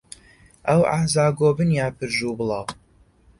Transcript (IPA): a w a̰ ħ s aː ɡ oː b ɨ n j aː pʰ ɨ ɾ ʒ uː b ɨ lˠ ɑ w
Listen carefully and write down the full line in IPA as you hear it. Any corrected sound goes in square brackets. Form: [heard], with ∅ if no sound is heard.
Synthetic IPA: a w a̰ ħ [z] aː ɡ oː b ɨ n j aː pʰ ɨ ɾ ʒ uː b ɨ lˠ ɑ w